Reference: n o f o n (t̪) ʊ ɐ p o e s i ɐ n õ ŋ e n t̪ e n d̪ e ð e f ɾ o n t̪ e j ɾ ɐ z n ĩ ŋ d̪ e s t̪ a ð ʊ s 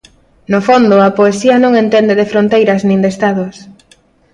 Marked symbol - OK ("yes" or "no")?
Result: no